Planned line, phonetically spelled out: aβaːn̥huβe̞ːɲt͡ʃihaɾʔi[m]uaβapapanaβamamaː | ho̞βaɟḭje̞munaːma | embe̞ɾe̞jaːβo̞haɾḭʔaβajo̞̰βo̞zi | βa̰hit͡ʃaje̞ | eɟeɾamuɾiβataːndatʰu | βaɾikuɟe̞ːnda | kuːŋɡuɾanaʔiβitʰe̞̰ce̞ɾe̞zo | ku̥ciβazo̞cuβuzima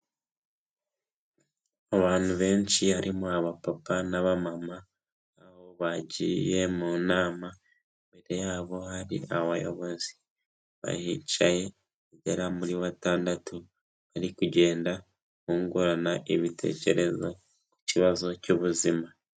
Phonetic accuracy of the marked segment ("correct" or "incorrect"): correct